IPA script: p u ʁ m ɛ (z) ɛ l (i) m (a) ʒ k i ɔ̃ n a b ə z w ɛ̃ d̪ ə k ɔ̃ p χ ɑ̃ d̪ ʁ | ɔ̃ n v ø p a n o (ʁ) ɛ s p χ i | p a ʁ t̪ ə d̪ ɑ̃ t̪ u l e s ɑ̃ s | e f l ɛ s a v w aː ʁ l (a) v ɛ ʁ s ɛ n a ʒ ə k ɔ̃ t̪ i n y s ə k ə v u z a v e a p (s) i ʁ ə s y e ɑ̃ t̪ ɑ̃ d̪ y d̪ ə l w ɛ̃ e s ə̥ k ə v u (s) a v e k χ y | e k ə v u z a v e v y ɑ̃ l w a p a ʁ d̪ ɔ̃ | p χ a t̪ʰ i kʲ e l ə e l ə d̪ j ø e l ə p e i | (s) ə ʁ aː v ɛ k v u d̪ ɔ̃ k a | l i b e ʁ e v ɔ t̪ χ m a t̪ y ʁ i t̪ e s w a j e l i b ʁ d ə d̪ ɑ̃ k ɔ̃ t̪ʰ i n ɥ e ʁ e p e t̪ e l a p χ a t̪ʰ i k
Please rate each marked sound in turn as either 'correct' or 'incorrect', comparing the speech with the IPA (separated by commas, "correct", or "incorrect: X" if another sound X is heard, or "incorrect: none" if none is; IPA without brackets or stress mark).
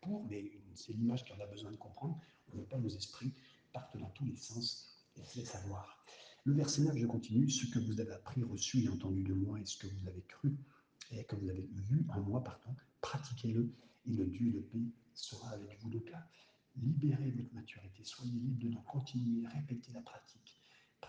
incorrect: s, correct, correct, incorrect: z, incorrect: ə, incorrect: χ, incorrect: z, correct